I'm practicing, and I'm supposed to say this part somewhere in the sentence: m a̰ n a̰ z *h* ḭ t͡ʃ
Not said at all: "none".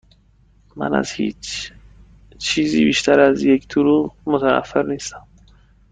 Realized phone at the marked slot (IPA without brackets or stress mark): h